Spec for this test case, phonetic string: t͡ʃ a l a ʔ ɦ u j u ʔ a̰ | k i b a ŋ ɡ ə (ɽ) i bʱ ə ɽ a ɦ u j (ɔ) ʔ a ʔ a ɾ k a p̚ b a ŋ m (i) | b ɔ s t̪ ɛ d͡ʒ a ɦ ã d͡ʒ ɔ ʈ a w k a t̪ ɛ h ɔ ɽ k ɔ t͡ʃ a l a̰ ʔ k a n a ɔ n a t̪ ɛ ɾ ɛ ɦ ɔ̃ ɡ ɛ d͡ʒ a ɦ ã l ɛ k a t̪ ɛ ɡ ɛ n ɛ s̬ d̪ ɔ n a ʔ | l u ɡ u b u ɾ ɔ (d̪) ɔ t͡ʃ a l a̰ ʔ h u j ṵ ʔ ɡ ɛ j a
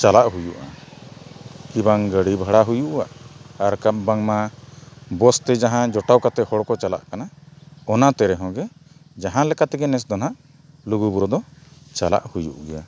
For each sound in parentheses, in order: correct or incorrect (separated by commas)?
correct, incorrect, incorrect, correct